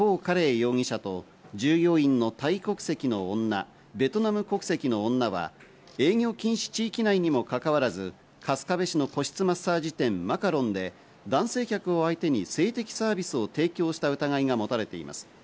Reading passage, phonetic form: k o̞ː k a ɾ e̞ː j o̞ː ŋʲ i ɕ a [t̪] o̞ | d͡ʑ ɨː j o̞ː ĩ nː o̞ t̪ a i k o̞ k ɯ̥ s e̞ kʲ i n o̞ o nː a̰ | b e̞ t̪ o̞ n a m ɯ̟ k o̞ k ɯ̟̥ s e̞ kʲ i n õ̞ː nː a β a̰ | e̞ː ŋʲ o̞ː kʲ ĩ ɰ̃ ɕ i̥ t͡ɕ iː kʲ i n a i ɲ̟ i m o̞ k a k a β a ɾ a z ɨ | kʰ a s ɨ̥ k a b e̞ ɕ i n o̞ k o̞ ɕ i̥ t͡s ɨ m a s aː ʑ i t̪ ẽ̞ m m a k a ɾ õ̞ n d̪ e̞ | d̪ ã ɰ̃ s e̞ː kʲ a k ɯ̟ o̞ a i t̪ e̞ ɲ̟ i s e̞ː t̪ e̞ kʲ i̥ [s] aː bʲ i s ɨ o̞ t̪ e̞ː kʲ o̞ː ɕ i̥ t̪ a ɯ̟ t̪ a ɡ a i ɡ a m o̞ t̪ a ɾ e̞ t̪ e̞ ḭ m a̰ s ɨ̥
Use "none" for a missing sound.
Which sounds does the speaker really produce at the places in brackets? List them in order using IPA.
t̪, s

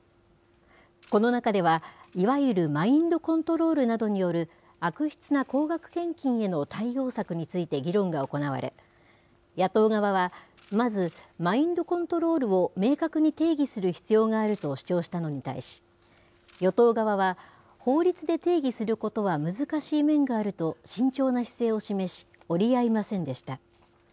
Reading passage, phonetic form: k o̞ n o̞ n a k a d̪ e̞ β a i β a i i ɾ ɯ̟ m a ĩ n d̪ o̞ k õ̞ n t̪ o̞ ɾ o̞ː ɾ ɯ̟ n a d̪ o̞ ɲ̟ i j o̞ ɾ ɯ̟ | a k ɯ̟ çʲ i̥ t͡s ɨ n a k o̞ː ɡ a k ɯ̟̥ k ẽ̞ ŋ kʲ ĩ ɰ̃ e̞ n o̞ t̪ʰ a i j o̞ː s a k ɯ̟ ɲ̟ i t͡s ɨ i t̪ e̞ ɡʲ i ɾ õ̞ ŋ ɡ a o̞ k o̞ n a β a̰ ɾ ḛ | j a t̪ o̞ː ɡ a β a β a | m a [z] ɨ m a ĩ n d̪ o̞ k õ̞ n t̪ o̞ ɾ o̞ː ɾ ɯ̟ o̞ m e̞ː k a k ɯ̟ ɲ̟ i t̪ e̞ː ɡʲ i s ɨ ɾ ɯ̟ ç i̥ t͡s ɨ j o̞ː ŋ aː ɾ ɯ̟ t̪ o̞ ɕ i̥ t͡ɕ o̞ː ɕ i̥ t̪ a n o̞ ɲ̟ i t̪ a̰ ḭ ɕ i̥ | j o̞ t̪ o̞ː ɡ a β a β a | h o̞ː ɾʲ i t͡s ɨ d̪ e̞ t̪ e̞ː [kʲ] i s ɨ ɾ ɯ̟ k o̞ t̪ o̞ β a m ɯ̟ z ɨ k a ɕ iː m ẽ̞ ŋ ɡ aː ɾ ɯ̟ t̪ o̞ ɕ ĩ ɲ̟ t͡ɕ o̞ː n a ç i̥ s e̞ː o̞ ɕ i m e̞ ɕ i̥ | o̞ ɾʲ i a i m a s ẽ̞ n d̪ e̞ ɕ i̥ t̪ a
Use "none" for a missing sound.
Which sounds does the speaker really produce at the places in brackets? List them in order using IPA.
z, ɡʲ

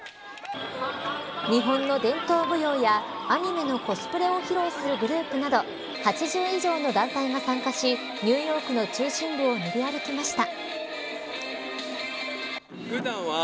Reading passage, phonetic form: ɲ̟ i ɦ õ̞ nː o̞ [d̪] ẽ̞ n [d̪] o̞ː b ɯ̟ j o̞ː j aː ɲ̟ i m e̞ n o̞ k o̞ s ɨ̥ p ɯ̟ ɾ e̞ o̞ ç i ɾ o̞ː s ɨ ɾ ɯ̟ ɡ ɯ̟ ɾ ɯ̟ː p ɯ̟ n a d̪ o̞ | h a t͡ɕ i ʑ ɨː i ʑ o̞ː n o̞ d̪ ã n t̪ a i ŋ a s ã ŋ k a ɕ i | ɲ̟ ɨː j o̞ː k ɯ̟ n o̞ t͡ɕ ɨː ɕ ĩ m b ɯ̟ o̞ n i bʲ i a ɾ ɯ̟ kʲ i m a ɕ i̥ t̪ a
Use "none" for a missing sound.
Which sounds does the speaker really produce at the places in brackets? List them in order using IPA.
d̪, t̪

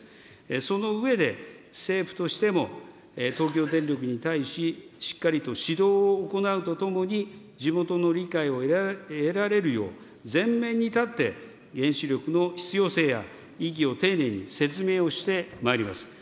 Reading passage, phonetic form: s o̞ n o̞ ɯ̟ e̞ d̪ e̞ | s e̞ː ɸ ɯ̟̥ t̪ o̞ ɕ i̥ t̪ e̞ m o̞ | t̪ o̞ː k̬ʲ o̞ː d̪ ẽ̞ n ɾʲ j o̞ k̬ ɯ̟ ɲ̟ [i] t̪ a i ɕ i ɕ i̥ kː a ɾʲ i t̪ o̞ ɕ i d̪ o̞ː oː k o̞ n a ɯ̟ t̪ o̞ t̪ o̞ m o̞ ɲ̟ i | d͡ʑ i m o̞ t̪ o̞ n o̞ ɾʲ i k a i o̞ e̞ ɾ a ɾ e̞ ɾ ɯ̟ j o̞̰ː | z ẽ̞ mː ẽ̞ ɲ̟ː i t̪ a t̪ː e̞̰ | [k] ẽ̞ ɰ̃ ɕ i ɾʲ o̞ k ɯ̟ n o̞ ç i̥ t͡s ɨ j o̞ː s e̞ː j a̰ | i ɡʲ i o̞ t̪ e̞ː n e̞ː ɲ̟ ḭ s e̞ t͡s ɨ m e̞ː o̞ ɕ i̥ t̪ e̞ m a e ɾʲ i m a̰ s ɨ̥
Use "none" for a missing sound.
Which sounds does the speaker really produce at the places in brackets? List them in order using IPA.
i, ɡ

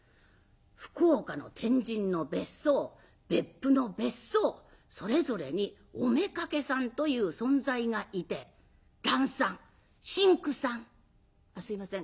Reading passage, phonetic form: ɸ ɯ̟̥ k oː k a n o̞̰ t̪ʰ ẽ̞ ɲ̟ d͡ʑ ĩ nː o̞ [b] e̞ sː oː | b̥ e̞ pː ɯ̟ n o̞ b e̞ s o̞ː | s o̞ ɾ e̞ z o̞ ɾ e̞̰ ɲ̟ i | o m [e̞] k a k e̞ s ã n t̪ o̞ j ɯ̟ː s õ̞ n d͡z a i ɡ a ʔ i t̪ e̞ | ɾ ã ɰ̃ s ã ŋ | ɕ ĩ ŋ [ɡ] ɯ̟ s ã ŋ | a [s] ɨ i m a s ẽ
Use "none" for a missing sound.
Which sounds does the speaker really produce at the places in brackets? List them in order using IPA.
b, e̞, k, s

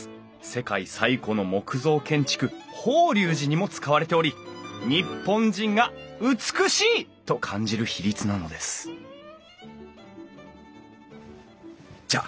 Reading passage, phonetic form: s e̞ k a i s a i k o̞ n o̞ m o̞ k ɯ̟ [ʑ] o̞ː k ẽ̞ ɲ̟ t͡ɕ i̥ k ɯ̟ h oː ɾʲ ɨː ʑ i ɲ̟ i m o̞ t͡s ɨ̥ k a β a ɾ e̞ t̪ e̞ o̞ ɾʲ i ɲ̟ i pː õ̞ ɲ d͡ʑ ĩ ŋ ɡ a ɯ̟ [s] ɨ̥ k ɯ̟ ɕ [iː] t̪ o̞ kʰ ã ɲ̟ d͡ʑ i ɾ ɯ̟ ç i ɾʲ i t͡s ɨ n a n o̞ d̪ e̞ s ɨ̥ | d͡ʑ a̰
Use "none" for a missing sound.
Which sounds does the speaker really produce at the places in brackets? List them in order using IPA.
z, t͡s, iː

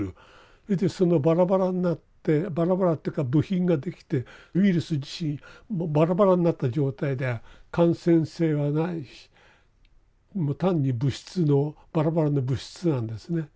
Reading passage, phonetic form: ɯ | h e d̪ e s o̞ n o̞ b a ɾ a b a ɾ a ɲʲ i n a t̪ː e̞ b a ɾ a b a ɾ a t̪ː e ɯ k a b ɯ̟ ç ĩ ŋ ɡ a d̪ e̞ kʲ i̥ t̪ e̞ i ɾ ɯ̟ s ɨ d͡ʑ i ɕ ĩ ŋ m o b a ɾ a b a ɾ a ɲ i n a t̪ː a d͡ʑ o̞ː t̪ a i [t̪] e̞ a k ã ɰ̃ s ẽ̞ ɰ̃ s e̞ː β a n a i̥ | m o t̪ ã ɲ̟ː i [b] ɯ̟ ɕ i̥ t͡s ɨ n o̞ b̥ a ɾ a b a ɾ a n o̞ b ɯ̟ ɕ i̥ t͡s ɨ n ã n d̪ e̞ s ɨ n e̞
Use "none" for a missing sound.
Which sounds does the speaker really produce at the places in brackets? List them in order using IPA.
d̪, b

